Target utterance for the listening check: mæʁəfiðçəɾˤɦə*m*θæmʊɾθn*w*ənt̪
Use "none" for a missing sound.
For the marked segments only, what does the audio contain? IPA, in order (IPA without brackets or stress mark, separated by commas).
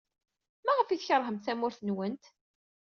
m, w